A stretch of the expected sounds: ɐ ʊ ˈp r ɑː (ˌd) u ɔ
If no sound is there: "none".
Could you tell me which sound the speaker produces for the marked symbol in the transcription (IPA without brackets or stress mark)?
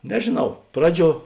d͡ʒʲ